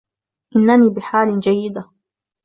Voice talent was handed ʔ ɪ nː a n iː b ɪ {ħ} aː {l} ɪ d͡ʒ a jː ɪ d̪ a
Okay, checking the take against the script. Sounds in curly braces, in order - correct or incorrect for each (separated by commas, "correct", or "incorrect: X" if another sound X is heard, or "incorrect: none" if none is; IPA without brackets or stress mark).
correct, correct